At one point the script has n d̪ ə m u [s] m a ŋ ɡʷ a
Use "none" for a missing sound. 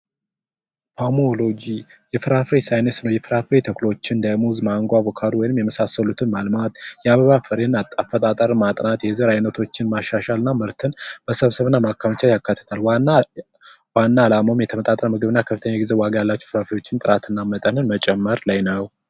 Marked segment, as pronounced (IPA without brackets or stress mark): z